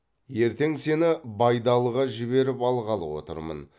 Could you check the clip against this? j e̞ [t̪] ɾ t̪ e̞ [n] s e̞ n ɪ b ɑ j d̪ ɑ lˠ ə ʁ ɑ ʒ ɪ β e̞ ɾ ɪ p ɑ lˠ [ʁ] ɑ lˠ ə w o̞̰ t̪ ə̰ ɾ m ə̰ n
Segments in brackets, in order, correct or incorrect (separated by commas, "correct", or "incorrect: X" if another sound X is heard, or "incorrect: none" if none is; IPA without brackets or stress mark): incorrect: none, incorrect: ŋ, correct